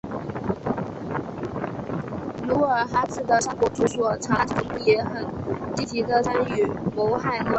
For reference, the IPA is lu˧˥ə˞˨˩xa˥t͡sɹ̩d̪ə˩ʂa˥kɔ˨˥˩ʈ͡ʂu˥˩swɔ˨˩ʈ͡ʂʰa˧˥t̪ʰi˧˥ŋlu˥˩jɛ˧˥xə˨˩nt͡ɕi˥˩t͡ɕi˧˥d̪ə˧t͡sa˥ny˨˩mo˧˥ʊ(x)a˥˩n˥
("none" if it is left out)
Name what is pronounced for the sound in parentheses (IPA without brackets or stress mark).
x